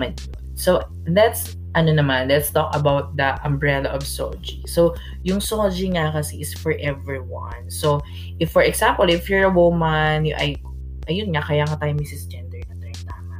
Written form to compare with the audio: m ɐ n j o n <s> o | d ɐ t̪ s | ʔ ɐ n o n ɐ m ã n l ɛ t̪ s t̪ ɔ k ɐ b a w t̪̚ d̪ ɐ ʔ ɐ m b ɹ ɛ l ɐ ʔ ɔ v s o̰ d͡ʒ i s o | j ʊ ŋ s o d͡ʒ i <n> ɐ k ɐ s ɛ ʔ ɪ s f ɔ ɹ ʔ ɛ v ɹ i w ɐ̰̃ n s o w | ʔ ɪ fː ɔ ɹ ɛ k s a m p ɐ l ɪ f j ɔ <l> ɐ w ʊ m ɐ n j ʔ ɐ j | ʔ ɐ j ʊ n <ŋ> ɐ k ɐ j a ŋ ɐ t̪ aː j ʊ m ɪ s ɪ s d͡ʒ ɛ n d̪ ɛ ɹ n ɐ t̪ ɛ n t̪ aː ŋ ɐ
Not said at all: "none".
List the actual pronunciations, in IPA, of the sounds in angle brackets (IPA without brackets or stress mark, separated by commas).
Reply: s, ŋ, ɹ, ŋ